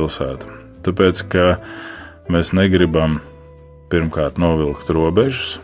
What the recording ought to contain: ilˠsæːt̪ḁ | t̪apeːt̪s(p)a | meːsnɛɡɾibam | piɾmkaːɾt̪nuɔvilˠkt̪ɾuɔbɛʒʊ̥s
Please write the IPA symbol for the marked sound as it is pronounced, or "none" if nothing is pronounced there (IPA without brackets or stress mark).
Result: k